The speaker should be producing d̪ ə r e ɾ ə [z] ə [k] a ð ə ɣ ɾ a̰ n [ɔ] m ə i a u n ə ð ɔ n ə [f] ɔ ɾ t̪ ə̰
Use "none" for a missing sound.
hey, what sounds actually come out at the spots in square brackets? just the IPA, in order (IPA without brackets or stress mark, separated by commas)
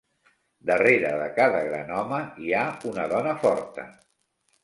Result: ð, k, ɔ, f